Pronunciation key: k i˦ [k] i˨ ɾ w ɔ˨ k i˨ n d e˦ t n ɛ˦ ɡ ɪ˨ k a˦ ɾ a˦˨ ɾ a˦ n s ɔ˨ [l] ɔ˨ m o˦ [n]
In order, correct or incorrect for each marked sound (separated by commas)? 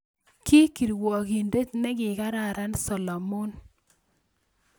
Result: correct, correct, correct